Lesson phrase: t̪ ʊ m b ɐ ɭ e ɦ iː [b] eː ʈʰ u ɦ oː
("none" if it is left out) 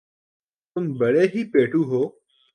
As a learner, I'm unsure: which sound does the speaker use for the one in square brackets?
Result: p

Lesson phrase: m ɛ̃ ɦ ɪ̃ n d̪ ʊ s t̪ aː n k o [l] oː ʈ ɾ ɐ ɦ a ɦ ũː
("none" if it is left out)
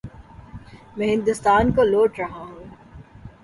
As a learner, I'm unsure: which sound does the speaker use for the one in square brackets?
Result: l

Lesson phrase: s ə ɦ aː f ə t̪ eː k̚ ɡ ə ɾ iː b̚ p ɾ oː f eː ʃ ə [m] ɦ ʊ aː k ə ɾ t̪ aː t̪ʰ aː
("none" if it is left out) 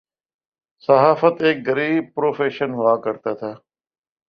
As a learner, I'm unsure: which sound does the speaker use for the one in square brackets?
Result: n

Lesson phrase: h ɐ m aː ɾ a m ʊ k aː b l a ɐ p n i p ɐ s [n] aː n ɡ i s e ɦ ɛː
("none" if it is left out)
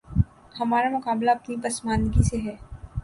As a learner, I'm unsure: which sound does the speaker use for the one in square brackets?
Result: m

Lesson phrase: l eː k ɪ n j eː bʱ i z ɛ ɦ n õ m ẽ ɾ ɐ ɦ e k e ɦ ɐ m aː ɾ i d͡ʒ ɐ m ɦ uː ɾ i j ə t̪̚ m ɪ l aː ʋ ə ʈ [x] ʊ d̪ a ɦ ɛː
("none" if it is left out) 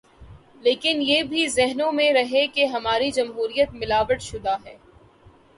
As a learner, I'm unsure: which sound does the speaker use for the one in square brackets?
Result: ʃ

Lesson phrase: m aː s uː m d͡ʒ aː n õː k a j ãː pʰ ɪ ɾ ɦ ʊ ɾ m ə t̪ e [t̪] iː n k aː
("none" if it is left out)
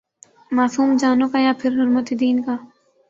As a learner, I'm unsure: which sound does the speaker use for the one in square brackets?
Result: d̪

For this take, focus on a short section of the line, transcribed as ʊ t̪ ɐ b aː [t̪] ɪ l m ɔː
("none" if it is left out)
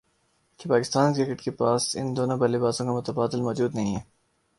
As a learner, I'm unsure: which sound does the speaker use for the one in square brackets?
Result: d̪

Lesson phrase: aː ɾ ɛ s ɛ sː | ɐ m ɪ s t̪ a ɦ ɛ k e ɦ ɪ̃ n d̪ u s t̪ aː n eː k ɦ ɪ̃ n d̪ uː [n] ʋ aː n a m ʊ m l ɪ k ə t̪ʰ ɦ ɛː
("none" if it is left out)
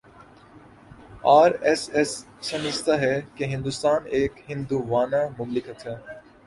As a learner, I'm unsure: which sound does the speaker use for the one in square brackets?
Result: none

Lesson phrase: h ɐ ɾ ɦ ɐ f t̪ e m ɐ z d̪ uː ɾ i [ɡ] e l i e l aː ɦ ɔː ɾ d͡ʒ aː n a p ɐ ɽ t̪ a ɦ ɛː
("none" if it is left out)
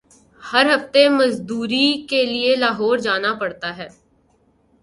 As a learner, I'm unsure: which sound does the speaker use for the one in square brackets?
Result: k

